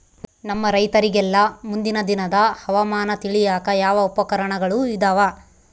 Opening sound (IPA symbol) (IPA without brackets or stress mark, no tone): n